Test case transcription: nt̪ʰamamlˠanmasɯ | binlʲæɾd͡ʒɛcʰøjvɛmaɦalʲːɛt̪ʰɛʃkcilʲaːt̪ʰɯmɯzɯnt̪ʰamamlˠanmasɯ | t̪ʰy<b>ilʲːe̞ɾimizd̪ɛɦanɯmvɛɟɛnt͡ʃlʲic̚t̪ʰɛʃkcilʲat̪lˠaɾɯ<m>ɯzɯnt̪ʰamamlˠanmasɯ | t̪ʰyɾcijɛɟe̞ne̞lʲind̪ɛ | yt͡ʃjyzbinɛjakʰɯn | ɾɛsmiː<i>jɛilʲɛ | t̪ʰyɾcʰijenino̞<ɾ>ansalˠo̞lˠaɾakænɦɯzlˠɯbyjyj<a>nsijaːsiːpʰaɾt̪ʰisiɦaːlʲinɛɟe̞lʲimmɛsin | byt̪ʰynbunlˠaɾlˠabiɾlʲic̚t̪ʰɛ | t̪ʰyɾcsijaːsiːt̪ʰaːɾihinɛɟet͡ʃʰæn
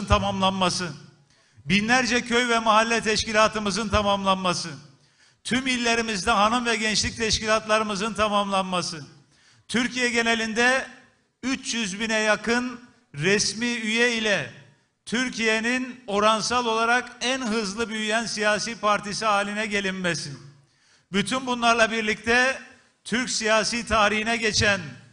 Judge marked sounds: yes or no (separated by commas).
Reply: no, yes, no, yes, no